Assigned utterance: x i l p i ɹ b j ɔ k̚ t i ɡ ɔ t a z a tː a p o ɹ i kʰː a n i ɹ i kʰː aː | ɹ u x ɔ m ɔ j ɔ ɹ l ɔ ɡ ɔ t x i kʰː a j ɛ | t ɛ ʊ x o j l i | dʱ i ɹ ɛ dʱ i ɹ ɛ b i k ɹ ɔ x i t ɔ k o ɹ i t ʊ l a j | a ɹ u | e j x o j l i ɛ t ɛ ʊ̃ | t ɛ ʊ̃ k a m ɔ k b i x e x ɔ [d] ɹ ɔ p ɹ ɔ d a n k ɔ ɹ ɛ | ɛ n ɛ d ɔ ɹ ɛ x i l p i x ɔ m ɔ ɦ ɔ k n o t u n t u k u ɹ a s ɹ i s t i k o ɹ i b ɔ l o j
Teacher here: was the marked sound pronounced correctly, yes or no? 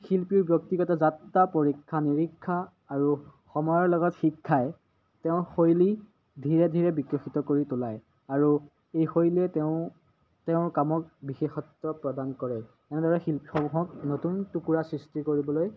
no